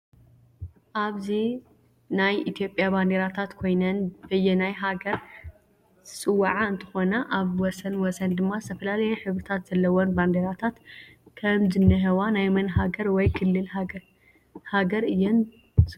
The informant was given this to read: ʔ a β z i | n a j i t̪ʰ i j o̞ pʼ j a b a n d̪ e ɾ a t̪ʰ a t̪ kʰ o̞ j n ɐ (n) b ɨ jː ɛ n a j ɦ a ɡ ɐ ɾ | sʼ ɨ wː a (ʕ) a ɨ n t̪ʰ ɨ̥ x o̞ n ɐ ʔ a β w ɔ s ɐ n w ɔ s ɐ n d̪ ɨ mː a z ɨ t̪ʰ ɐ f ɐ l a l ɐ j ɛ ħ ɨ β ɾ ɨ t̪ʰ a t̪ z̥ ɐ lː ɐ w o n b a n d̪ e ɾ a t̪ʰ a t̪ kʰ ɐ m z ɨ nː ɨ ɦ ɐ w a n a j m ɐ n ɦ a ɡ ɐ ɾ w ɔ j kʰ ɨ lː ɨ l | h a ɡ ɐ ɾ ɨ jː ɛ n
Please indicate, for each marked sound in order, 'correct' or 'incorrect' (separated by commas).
correct, correct